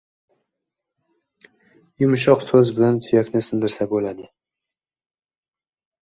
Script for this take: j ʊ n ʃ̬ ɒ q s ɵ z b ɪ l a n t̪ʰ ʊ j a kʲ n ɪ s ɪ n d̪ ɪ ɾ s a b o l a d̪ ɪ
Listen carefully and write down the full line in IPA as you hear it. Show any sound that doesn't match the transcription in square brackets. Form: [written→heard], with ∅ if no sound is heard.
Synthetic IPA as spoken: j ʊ [n→m] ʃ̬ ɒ q s ɵ z b ɪ l a n t̪ʰ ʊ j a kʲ n ɪ s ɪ n d̪ ɪ ɾ s a b o l a d̪ ɪ